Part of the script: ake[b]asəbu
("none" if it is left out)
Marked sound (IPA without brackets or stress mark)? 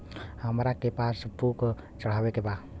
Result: p